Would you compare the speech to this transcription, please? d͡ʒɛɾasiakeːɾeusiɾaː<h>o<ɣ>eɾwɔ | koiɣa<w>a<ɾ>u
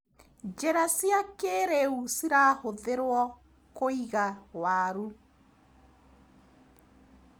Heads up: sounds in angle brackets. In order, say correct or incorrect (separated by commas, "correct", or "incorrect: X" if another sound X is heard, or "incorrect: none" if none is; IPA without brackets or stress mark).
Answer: correct, incorrect: ð, correct, correct